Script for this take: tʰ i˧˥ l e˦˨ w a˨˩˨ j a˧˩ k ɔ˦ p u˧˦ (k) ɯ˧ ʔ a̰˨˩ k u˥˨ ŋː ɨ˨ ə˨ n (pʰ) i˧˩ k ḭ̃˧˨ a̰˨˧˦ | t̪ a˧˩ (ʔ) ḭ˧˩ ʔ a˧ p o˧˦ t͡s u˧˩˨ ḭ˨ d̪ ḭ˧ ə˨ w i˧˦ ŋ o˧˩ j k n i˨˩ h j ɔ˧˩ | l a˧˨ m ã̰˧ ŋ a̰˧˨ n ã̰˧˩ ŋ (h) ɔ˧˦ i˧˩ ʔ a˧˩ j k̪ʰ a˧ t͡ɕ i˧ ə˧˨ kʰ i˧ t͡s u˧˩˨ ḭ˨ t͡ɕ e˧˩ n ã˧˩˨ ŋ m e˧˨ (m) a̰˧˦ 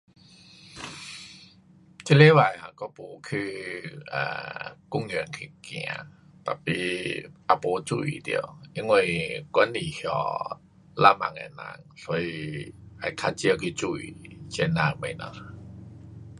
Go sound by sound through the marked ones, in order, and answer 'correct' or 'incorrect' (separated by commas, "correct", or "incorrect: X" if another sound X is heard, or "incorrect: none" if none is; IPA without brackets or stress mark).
incorrect: kʰ, incorrect: kʰ, incorrect: p, incorrect: s, incorrect: n